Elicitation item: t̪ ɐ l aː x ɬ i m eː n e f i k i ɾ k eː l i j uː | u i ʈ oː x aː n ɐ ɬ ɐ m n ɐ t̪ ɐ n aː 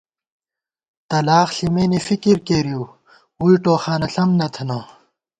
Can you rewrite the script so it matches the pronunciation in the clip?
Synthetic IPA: t̪ ɐ l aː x ɬ i m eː n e f i k i ɾ k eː ɾ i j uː | u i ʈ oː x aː n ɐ ɬ ɐ m n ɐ t̪ʰ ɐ n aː